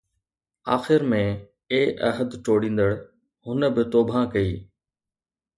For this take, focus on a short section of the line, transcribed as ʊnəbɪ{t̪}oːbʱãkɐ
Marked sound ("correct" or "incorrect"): correct